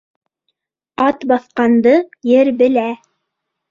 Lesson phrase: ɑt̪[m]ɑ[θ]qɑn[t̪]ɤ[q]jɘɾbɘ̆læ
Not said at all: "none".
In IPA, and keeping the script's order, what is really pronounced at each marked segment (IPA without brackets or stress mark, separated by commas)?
b, θ, d̪, none